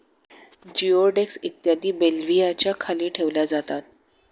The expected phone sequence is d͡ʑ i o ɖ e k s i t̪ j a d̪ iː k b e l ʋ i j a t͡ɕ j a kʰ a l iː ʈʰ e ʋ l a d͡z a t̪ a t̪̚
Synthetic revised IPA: d͡ʑ i o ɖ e k s i t̪ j a d̪ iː b e l ʋ i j a t͡ɕ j a kʰ a l iː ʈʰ e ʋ l a d͡z a t̪ a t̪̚